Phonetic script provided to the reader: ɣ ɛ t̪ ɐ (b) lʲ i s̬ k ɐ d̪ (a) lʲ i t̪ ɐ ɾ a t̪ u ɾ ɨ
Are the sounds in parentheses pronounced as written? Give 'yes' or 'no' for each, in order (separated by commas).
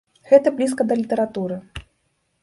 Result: yes, no